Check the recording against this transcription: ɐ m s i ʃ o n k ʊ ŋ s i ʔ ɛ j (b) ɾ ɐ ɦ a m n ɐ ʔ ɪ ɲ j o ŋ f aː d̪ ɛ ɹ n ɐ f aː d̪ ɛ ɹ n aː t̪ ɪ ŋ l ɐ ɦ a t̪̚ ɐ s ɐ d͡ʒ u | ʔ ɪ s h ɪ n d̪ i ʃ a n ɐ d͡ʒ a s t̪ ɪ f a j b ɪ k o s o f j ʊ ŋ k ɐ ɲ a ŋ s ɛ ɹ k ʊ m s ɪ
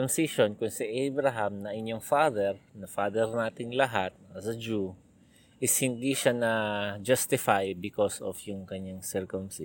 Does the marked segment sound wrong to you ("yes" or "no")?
no